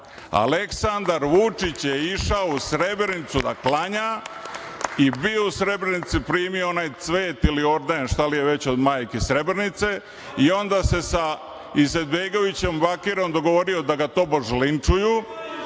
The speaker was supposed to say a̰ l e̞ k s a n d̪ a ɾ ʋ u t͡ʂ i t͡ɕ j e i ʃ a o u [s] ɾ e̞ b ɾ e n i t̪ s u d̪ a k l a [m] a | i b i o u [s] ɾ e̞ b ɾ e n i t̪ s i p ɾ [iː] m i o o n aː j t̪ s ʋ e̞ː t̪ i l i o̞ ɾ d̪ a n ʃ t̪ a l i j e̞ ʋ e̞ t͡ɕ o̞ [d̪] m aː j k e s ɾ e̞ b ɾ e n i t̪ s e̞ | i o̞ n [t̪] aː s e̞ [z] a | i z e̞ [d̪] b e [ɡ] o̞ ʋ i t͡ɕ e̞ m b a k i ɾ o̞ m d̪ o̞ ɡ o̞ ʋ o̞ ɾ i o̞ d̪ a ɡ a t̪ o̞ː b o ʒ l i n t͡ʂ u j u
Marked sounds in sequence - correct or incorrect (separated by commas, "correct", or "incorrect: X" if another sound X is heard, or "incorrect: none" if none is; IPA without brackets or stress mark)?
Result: correct, incorrect: ɲ, correct, correct, correct, incorrect: d̪, incorrect: s, correct, correct